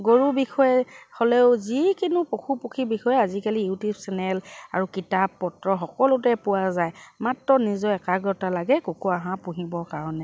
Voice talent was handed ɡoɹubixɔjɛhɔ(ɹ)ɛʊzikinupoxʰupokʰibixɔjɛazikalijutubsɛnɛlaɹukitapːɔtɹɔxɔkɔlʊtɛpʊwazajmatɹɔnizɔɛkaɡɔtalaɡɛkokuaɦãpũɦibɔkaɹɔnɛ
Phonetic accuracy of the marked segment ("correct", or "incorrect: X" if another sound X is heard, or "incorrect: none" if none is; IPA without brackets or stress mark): incorrect: l